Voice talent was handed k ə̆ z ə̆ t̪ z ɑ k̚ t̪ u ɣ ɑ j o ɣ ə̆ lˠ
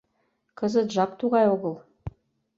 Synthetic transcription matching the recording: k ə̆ z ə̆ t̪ ʒ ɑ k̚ t̪ u ʁ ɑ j o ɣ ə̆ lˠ